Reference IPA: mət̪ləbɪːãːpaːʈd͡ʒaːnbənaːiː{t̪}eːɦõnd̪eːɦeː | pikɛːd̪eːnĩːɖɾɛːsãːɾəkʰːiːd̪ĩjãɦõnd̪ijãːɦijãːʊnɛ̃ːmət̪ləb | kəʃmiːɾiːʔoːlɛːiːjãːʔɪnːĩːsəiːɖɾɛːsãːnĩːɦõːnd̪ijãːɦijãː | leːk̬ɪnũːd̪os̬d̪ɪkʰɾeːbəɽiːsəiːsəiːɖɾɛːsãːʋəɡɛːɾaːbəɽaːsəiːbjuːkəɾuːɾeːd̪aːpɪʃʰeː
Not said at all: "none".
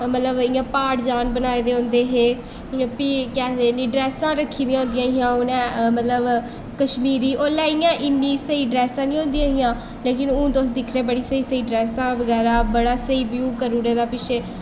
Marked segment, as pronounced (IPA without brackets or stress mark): d̪